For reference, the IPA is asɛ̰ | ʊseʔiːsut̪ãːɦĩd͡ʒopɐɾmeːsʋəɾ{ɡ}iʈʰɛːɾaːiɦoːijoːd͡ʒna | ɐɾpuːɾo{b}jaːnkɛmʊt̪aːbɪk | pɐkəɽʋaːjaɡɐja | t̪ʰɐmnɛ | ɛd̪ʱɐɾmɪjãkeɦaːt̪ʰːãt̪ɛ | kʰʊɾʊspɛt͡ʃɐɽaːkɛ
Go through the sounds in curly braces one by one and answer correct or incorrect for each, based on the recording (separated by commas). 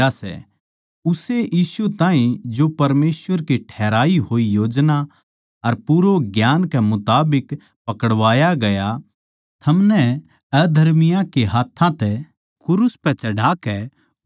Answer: incorrect, incorrect